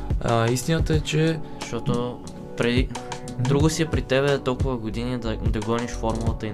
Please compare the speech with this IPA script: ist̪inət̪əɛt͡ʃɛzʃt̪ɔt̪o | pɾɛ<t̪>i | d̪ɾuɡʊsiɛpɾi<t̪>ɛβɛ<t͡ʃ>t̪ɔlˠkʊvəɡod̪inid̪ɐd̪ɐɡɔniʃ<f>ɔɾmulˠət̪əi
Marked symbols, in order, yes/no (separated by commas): no, yes, no, yes